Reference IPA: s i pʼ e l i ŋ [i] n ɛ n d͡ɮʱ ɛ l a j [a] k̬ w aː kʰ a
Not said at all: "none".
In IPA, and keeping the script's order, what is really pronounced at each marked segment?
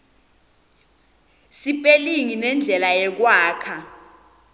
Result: i, ɛ

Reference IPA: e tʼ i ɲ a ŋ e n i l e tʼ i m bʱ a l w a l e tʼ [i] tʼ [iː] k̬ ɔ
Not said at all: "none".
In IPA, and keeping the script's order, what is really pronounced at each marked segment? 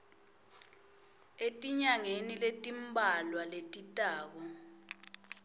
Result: i, aː

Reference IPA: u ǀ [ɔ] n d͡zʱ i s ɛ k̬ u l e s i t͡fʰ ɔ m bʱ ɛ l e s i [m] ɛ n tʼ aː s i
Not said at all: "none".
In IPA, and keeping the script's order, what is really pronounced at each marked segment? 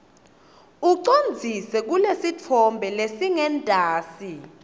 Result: o, ŋ

